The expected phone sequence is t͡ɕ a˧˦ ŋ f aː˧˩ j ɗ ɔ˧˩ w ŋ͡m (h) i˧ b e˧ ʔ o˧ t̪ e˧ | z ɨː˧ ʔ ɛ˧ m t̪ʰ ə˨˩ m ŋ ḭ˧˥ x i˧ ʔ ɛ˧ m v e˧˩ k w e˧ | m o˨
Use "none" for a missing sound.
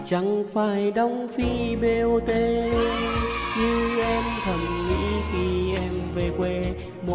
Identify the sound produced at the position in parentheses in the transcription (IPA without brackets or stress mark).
f